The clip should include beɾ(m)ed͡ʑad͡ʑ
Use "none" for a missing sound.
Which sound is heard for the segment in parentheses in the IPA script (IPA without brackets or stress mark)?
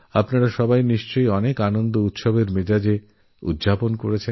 m